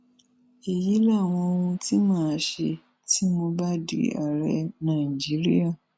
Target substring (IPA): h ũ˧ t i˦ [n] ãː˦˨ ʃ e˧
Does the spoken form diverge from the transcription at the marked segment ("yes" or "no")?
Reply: yes